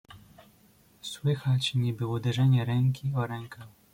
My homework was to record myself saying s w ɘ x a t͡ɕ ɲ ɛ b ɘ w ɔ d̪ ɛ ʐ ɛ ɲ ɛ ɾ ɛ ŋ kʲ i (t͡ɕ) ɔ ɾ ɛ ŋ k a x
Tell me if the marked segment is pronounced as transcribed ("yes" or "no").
no